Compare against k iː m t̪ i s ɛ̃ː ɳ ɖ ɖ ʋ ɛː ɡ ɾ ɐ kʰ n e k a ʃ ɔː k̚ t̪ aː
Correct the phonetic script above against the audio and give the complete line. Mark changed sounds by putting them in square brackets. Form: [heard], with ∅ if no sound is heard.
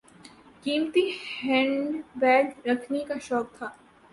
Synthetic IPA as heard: k iː m t̪ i [h] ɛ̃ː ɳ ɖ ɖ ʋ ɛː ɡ ɾ ɐ kʰ n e k a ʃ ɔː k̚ [t̪ʰ] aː